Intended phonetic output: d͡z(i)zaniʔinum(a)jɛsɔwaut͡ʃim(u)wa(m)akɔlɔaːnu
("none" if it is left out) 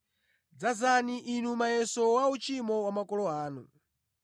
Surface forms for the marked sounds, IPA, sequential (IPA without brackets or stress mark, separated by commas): a, a, ɔ, m